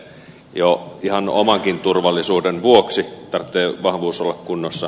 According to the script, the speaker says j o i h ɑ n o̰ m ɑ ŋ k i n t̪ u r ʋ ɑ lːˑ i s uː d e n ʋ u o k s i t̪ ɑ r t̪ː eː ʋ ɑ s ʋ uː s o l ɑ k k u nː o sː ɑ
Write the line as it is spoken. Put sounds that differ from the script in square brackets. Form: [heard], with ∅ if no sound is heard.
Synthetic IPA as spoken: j o i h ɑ n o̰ m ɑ ŋ k i n t̪ u r ʋ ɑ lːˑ i s uː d e n ʋ u o k s i t̪ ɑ r t̪ː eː ʋ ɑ [h] ʋ uː s o [lː] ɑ k k u nː o sː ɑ